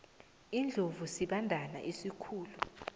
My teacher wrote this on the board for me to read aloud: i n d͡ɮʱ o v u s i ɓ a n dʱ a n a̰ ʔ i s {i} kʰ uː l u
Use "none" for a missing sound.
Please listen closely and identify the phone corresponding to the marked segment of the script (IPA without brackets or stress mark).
i